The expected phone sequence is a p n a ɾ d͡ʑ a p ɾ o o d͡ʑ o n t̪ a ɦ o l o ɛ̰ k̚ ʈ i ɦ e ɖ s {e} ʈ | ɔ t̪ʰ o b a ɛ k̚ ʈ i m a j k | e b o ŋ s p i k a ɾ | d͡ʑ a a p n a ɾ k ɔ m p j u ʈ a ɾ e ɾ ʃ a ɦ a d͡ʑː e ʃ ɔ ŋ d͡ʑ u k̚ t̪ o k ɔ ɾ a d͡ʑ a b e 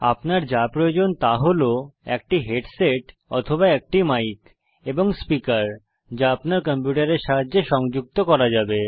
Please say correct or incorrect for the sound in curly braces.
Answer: correct